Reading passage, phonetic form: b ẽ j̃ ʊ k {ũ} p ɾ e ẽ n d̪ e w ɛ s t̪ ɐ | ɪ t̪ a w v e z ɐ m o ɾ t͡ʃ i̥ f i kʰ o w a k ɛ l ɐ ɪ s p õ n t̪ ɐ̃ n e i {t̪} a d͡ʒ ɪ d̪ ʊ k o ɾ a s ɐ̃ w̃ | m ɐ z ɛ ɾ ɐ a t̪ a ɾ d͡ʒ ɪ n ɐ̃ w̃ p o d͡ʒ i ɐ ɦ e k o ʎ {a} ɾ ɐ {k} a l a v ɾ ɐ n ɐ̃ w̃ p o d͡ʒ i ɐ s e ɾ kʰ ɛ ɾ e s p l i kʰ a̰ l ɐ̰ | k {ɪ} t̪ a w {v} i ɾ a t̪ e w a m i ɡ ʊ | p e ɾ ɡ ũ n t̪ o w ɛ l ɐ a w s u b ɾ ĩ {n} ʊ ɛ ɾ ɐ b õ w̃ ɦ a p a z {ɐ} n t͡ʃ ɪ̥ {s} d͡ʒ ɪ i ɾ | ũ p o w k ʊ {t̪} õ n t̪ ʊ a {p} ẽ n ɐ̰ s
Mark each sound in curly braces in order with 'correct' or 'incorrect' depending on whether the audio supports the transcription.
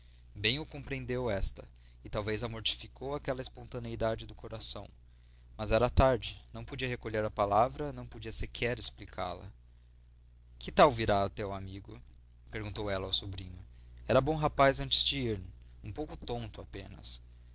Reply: incorrect: õ, incorrect: d̪, incorrect: e, incorrect: p, correct, correct, incorrect: ɲ, incorrect: ɐ̃, incorrect: z, correct, correct

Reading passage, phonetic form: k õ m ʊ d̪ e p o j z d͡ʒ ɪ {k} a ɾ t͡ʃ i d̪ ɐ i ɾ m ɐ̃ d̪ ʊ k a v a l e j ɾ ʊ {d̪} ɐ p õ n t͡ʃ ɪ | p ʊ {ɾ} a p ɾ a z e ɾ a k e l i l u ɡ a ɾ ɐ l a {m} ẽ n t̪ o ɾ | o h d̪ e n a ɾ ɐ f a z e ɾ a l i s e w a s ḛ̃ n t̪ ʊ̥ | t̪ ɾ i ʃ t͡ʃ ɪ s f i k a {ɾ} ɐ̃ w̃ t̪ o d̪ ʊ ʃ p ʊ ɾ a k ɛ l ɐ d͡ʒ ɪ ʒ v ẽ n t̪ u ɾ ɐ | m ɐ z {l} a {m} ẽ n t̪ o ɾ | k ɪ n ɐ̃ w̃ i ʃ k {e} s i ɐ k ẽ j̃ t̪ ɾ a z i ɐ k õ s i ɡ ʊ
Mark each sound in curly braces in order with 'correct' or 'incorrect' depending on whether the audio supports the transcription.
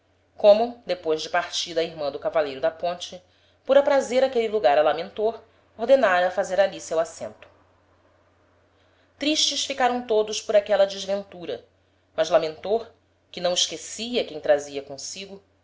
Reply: incorrect: p, correct, correct, correct, correct, correct, correct, correct

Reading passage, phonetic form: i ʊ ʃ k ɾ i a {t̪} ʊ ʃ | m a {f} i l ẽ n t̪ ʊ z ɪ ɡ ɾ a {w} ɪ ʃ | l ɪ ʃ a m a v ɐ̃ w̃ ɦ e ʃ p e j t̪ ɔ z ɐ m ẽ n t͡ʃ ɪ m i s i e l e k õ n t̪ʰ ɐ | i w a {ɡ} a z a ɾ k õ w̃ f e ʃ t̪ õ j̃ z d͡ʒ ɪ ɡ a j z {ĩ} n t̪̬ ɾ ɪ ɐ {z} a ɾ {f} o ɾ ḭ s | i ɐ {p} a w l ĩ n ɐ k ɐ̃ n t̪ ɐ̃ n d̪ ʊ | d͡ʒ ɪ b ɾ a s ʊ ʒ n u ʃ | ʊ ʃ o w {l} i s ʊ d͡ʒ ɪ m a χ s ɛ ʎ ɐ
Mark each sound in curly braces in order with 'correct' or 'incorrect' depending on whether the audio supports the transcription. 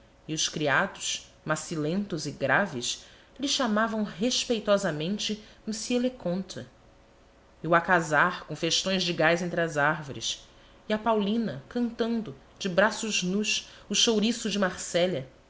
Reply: incorrect: d̪, incorrect: s, incorrect: v, incorrect: k, incorrect: ẽ, correct, incorrect: v, correct, incorrect: ɾ

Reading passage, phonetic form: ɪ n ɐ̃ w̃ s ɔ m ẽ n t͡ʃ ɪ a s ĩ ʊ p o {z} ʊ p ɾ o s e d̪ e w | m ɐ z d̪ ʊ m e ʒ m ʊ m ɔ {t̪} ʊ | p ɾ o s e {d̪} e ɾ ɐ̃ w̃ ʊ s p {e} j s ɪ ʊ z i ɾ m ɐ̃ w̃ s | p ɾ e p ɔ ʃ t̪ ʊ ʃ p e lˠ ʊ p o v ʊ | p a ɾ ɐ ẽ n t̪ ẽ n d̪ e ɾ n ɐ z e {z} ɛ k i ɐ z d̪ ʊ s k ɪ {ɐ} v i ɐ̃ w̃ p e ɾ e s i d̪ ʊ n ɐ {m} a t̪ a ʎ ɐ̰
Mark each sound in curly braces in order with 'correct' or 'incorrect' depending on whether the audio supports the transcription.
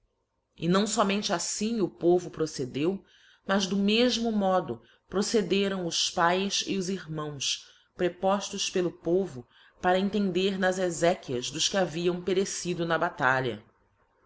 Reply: incorrect: v, incorrect: d̪, correct, incorrect: a, correct, incorrect: a, incorrect: b

